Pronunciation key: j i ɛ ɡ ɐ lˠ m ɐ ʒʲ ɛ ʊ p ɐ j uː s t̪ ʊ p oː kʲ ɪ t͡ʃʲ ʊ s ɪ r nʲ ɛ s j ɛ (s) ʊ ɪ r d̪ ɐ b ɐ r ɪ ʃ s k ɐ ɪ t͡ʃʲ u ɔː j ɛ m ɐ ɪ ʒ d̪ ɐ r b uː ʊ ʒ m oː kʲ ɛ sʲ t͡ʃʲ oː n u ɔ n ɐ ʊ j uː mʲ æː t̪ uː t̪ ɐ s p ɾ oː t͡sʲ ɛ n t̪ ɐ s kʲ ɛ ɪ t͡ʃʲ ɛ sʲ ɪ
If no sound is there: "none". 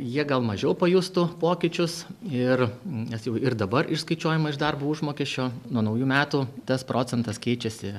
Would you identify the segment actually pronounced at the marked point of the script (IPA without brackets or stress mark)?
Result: none